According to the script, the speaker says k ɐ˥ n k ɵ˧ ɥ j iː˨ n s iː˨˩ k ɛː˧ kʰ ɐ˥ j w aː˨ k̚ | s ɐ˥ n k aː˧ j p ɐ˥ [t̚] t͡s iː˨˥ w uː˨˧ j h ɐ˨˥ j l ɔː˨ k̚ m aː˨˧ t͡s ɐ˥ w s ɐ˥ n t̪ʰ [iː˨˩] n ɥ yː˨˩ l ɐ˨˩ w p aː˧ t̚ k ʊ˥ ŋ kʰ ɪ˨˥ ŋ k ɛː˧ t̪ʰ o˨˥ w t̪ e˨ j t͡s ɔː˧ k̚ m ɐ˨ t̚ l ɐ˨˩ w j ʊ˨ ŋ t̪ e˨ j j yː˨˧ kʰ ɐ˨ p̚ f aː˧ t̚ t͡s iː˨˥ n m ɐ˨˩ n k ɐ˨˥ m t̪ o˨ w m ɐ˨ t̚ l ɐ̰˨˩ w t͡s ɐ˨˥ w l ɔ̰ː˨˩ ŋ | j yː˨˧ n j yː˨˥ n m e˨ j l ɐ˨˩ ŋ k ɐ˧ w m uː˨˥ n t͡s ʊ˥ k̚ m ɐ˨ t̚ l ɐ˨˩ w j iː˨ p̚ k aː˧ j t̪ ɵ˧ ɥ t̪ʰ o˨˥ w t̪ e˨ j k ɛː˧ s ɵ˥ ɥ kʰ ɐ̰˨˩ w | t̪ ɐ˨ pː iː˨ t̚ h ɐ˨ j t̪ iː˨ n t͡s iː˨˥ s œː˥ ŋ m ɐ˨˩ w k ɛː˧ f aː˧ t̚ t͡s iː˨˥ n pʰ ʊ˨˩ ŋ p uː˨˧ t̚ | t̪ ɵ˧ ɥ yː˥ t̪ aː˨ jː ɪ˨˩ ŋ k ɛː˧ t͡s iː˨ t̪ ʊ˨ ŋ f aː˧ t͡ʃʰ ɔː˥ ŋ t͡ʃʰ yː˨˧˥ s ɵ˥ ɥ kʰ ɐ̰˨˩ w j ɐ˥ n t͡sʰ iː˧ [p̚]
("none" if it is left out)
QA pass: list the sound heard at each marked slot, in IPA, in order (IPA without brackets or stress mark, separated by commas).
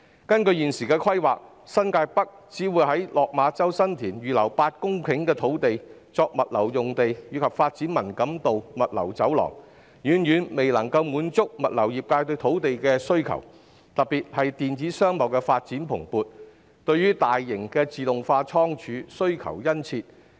k̚, iː˨˩, t̚